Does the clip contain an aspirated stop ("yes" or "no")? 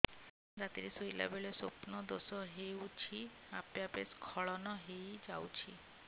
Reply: yes